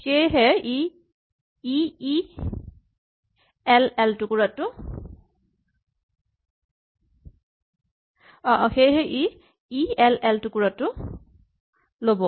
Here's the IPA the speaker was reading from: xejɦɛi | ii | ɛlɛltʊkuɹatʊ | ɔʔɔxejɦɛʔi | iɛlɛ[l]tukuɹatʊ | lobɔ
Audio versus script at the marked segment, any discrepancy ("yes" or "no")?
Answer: no